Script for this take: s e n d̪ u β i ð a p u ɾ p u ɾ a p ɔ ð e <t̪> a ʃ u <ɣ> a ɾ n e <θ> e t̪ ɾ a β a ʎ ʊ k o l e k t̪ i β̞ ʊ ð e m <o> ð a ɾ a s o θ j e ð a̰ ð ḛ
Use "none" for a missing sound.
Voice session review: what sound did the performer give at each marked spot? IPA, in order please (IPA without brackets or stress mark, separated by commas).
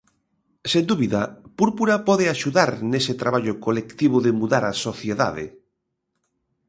none, ð, s, u